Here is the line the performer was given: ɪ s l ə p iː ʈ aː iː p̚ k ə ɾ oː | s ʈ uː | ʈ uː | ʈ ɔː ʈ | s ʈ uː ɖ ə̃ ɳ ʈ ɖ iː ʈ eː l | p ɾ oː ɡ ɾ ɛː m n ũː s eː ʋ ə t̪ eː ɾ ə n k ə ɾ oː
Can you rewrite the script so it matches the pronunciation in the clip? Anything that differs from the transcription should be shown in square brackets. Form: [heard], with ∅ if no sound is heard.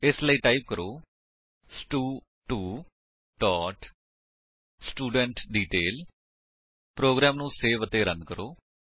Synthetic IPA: ɪ s l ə [∅] iː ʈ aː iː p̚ k ə ɾ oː | s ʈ uː | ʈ uː | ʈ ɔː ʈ | s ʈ uː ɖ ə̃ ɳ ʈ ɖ iː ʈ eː l | p ɾ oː ɡ ɾ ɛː m n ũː s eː ʋ ə t̪ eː ɾ ə n k ə ɾ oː